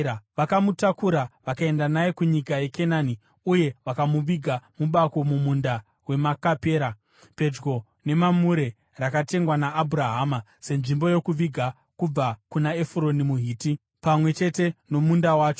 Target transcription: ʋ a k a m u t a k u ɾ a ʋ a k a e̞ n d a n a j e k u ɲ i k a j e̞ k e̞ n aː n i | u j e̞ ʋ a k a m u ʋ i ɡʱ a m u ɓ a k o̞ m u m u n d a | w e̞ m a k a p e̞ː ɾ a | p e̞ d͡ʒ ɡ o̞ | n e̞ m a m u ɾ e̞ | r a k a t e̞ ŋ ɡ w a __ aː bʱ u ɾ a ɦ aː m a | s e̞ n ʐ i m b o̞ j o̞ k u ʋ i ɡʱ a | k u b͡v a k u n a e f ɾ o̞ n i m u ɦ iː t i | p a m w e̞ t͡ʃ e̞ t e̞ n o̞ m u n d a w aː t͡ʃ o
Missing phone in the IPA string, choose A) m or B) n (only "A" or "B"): B